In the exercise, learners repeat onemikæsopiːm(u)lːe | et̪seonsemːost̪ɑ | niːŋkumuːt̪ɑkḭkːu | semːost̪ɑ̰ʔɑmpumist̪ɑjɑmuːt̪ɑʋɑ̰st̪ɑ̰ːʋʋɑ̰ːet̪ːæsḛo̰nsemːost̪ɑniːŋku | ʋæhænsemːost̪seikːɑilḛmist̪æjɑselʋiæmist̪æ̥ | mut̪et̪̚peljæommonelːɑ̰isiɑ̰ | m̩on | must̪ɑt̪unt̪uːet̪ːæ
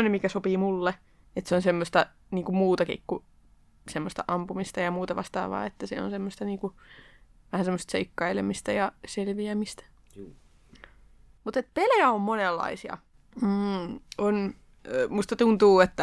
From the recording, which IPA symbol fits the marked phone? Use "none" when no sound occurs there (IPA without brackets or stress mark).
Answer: u